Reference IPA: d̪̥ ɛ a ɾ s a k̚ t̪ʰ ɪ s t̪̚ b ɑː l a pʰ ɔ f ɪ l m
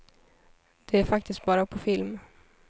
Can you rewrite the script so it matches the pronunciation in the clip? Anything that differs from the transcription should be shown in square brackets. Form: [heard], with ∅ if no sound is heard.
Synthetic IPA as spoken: d̪̥ ɛ [æ] ɾ [f] a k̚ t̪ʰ ɪ s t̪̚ b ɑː [ɾ] a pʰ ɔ f ɪ l m